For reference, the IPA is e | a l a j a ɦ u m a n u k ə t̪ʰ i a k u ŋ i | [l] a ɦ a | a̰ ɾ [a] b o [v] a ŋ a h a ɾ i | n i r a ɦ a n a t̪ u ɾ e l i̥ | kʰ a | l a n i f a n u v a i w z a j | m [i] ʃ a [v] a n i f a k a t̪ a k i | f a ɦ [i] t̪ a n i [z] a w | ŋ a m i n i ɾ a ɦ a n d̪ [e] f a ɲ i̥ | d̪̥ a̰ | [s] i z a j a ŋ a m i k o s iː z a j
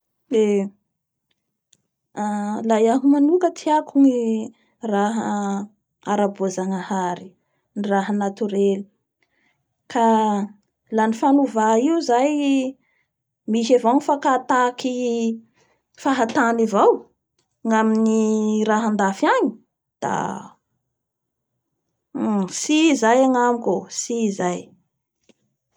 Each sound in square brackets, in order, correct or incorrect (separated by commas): incorrect, correct, incorrect, correct, correct, incorrect, incorrect, incorrect, correct